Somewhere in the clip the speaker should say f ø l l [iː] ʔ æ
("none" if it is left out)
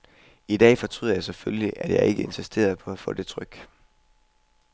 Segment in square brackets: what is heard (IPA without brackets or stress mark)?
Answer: i